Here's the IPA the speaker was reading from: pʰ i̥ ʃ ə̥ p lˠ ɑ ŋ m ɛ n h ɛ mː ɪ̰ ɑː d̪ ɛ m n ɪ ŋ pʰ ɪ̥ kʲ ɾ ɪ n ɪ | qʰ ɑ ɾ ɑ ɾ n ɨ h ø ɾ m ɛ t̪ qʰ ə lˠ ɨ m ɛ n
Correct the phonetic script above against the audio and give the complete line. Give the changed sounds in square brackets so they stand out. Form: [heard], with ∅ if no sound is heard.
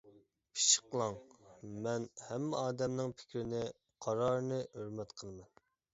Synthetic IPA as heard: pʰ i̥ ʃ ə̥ [q] lˠ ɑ ŋ m ɛ n h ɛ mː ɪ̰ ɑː d̪ ɛ m n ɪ ŋ pʰ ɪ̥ kʲ ɾ ɪ n ɪ | qʰ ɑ ɾ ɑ ɾ n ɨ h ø ɾ m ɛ t̪ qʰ ə lˠ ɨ m ɛ n